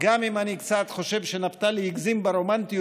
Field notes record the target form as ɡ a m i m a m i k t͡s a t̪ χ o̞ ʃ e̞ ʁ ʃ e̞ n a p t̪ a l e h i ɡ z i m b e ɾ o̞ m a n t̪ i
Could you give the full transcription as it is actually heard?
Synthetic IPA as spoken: ɡ a m i m a n i k t͡s a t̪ χ o̞ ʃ e̞ v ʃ e̞ n a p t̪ a l e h i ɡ z i m b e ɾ o̞ m a n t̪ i